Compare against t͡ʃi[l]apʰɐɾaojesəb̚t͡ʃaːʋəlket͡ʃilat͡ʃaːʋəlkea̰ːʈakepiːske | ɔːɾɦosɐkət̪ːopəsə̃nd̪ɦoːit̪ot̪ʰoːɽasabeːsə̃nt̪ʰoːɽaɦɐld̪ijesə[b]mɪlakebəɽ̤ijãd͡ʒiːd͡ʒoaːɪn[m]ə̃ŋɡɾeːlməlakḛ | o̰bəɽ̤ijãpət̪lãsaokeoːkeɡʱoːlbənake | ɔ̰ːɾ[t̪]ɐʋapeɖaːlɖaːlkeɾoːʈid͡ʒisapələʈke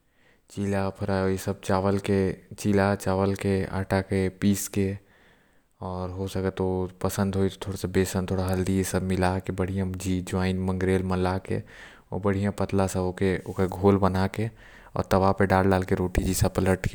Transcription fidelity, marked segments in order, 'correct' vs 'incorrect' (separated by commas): correct, correct, correct, correct